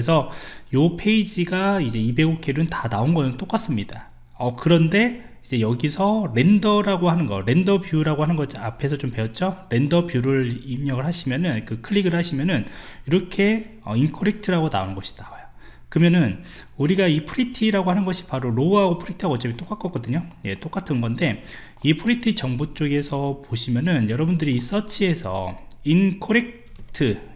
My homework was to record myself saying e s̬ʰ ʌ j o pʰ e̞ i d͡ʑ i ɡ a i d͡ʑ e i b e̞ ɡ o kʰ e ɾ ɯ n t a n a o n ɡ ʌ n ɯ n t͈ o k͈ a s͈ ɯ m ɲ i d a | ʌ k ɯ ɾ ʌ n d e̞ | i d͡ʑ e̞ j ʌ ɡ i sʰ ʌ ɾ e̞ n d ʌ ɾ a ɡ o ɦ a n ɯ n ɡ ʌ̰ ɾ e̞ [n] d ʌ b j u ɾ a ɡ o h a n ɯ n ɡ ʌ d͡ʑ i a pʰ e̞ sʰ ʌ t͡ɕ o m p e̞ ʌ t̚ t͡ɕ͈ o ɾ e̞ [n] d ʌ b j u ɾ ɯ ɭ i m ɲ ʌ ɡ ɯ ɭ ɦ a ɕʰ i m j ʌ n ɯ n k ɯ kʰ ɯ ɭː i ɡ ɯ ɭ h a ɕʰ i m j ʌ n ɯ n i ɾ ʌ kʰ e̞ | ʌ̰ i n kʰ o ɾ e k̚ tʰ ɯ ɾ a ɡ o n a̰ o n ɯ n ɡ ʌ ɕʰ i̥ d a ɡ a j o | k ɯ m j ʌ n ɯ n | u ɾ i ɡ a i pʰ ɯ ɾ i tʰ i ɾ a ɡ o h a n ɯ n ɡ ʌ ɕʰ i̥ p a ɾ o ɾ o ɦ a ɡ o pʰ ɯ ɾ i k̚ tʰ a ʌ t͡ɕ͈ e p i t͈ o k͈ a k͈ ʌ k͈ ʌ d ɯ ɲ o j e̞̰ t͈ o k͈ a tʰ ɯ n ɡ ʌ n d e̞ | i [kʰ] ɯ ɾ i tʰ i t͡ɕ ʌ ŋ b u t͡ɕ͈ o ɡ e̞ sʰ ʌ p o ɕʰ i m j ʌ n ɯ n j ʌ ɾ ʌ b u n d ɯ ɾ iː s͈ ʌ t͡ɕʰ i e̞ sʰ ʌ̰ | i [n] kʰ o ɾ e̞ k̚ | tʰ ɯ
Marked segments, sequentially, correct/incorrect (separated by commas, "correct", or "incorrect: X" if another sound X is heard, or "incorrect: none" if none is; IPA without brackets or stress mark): correct, correct, incorrect: pʰ, correct